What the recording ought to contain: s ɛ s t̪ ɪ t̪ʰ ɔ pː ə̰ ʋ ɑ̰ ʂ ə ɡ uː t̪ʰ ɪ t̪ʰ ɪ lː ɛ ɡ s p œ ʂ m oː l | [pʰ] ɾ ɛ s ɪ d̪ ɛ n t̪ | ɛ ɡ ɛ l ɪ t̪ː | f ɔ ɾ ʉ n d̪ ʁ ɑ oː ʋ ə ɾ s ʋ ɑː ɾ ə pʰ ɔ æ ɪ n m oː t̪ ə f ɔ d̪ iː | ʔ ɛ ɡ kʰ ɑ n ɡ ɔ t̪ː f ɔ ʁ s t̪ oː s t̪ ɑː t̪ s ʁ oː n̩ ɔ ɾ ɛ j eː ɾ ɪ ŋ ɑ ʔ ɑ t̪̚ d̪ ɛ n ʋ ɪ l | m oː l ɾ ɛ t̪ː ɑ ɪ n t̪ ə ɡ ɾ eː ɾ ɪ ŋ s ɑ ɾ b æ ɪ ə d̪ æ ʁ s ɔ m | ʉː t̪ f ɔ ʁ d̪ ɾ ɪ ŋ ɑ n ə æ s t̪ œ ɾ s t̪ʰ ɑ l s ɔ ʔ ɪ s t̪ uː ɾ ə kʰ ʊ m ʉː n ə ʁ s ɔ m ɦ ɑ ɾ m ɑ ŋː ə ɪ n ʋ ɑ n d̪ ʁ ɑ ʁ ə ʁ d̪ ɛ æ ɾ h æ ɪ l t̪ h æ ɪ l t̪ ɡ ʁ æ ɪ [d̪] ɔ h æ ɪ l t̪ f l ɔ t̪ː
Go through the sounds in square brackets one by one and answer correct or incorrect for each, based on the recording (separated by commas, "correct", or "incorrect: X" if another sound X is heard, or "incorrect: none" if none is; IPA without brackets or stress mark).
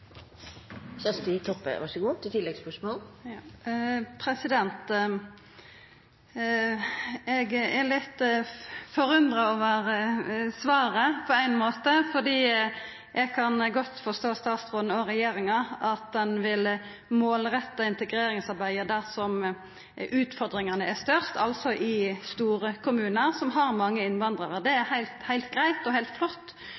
correct, incorrect: t̪